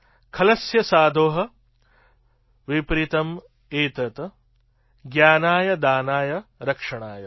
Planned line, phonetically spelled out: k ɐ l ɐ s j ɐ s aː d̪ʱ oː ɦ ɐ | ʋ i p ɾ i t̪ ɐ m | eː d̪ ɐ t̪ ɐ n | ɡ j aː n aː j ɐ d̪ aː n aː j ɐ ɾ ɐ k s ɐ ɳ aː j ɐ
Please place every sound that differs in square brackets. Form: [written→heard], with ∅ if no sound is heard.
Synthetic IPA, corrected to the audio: [k→kʰ] ɐ l ɐ s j ɐ s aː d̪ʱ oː ɦ ɐ | ʋ i p ɾ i t̪ ɐ m | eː [d̪→t̪] ɐ t̪ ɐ [n→∅] | ɡ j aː n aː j ɐ d̪ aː n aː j ɐ ɾ ɐ k [s→ʂ] ɐ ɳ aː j ɐ